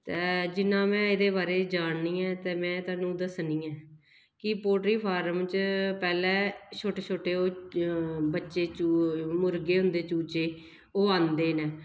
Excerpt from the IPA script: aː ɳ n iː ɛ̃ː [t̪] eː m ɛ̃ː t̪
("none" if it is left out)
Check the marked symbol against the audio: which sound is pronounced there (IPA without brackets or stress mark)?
t̪